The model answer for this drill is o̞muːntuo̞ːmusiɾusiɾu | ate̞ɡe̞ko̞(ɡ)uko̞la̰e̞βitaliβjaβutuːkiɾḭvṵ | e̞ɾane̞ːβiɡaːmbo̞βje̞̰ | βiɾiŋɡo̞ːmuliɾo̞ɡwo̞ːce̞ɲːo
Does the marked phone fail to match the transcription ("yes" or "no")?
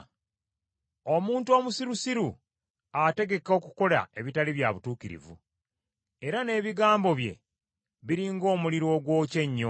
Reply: yes